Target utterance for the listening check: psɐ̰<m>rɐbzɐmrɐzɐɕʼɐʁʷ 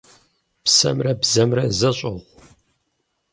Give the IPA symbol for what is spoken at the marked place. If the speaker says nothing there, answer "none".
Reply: m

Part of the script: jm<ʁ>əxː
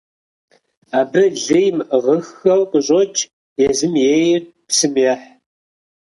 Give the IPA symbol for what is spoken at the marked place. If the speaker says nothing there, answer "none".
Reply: ʁ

